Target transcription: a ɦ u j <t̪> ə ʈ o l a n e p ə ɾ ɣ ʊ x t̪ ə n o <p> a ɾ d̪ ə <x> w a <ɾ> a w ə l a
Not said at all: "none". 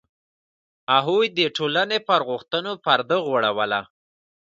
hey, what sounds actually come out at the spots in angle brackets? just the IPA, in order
d̪, p, ɣ, ɽ

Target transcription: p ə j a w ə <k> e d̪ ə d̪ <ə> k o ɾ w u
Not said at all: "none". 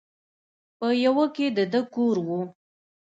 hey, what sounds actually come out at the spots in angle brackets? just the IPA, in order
k, ə

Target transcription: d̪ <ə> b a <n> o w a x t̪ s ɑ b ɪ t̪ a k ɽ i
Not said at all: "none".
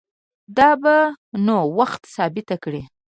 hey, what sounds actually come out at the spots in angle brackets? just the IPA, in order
ɑ, n

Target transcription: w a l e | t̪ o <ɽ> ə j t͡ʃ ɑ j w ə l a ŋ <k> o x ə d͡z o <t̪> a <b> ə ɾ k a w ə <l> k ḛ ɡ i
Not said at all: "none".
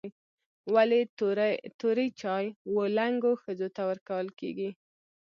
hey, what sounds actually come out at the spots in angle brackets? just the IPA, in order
ɾ, ɡ, t̪, w, l

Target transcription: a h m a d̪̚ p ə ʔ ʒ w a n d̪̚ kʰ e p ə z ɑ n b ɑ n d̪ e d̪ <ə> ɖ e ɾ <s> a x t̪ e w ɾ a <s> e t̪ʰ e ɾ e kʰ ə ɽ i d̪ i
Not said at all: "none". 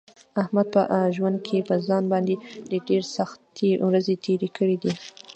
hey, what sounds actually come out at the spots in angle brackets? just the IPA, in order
ə, s, z

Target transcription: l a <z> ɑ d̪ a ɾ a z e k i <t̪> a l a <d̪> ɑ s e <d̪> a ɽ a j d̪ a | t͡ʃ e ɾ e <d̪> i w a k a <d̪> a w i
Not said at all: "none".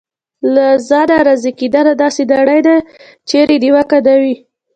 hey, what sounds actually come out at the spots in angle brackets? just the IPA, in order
z, d̪, d̪, d̪, d̪, d̪

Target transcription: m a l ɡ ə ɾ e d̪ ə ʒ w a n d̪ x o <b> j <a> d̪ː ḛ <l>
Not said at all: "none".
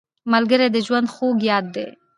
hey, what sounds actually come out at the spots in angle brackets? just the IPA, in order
ɡ, ɑ, none

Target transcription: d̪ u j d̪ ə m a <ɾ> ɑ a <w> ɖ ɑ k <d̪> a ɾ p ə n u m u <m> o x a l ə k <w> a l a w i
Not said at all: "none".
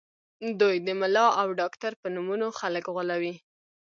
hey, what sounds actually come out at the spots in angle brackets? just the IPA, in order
l, w, t̪, n, ɣ

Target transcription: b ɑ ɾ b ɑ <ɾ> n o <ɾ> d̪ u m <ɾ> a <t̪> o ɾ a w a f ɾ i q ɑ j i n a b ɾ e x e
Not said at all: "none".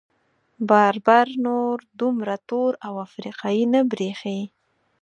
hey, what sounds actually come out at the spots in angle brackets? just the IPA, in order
ɾ, ɾ, ɾ, t̪

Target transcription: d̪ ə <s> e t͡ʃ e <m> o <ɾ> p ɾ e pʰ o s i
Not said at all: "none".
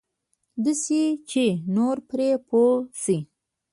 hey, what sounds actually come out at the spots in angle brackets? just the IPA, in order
s, n, ɾ

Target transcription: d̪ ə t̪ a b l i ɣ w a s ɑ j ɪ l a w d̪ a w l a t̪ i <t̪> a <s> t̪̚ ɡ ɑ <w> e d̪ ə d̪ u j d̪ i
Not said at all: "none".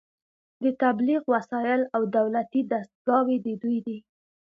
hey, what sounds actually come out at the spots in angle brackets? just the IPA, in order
d̪, s, w

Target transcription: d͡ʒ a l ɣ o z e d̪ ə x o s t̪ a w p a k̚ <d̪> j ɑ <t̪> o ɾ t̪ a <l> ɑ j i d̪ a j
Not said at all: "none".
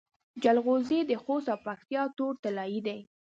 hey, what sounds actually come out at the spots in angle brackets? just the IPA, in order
t̪, t̪, l

